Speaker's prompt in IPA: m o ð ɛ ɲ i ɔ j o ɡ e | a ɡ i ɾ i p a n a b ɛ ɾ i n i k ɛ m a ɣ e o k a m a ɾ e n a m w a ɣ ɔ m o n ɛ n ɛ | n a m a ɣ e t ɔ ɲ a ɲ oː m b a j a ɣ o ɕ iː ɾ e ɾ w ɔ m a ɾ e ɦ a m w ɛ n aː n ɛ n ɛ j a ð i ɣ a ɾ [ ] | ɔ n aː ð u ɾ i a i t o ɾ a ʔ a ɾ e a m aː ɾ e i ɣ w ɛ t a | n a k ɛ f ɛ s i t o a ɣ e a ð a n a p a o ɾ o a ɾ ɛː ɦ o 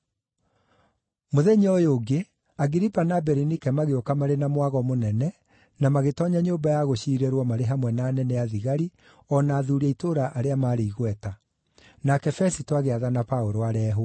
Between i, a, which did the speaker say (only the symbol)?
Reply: i